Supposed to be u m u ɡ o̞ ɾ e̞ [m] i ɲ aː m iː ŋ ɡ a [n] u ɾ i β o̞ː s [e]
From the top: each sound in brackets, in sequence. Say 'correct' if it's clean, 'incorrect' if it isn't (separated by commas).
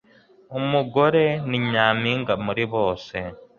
incorrect, incorrect, correct